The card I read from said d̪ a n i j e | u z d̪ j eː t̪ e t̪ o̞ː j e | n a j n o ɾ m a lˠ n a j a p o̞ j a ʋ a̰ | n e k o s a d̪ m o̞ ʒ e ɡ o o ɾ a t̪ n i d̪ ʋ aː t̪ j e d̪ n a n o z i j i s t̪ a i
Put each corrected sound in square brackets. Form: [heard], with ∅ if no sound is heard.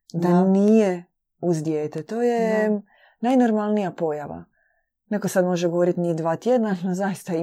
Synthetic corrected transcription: d̪ a n i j e | u z d̪ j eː t̪ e t̪ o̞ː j e | n a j n o ɾ m a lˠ n [i] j a p o̞ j a ʋ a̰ | n e k o s a d̪ m o̞ ʒ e ɡ o o ɾ [i] t̪ n i d̪ ʋ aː t̪ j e d̪ n a n o z [a] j i s t̪ a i